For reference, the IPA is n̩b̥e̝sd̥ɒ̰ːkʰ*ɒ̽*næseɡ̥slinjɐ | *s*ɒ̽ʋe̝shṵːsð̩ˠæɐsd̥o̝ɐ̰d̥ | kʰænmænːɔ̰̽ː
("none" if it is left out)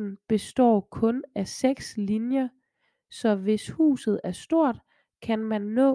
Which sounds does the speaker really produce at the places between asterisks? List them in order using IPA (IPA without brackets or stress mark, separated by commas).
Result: ɔ̽, s